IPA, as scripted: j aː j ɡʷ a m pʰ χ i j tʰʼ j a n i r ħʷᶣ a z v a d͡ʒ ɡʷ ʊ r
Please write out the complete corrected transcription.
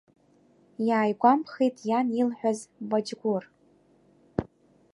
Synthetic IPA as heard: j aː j ɡʷ a m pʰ χ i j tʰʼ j a n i l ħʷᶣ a z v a d͡ʒ ɡʷ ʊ r